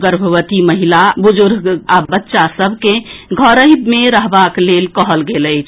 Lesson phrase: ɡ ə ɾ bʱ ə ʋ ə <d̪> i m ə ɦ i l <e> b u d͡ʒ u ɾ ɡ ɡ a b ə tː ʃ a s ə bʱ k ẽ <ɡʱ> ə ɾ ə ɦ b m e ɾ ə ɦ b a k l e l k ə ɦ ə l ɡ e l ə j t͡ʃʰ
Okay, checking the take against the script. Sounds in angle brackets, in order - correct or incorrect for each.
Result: incorrect, incorrect, correct

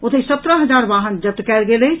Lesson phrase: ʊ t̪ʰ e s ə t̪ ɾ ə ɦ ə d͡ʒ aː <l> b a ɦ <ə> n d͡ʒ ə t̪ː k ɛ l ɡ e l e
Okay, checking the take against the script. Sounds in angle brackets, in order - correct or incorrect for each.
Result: incorrect, correct

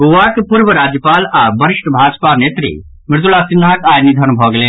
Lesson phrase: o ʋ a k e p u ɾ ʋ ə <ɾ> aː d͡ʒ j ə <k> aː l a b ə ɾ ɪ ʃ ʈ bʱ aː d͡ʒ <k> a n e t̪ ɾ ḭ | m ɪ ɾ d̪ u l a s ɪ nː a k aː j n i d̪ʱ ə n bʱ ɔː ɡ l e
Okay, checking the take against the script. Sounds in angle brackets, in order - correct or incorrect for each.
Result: correct, incorrect, incorrect

